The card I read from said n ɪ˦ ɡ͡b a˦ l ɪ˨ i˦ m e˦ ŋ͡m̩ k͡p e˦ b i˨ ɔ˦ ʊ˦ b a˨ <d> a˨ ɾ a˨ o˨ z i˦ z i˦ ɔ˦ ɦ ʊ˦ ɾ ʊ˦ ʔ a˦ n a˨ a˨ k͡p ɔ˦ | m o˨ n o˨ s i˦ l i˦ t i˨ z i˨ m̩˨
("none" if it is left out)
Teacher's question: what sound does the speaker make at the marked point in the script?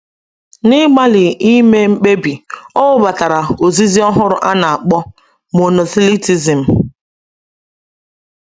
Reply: t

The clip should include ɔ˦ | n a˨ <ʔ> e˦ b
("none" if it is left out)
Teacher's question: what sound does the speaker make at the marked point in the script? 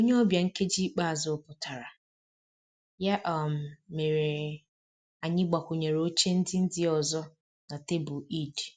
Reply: t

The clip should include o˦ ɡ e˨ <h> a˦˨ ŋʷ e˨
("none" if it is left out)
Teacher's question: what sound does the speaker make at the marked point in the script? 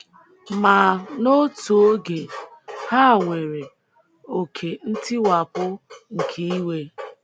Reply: h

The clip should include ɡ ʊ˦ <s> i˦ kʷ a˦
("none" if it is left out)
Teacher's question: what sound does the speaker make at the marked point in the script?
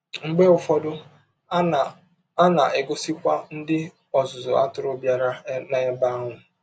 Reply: s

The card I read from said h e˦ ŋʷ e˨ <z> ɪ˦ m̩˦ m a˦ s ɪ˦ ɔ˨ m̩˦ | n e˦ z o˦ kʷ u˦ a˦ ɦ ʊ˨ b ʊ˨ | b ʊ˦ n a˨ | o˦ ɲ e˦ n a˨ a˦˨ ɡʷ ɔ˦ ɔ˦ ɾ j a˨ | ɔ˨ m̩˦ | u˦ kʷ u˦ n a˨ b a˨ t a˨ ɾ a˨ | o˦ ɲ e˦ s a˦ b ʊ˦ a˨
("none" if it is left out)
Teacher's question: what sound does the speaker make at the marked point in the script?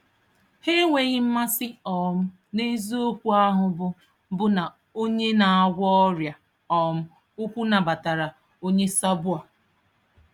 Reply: ɣ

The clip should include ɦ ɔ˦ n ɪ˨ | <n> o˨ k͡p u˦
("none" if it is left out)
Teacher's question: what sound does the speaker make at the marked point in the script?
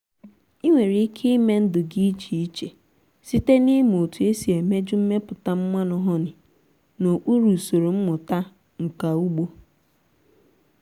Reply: n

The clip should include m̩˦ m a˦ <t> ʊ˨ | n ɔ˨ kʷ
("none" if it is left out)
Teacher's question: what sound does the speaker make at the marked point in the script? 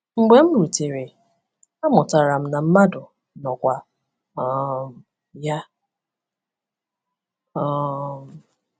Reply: d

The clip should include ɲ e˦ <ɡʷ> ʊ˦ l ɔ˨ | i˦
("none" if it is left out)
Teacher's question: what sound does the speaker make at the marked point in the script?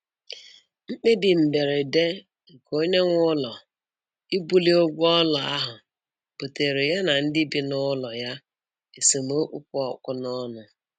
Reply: ŋʷ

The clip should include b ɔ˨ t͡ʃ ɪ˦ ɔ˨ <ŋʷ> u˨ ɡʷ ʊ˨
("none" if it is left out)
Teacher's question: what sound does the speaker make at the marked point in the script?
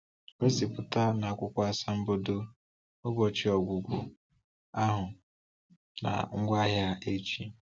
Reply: ɡʷ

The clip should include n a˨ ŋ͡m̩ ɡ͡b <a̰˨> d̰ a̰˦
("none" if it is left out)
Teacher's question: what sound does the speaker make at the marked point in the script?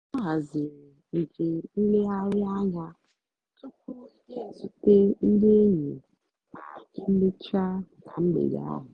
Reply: ḛ˨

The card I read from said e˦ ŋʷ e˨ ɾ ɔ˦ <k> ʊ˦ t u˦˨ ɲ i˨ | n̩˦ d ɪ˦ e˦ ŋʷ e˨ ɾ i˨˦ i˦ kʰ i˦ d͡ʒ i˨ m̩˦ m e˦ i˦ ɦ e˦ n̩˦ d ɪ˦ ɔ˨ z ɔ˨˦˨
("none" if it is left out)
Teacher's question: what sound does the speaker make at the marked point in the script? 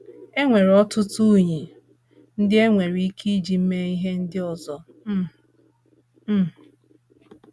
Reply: t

